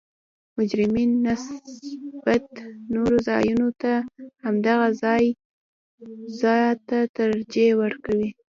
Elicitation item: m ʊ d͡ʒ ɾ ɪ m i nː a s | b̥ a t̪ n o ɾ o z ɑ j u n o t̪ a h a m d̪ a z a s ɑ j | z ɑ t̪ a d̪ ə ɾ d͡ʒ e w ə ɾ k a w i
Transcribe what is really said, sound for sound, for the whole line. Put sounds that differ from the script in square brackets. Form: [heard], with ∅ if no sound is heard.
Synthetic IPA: m ʊ d͡ʒ ɾ ɪ m i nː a s | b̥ a t̪ n o ɾ o z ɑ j u n o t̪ a h a m d̪ a [ɣ] a [z] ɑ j | z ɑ t̪ a [t̪] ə ɾ d͡ʒ e w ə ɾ k a w i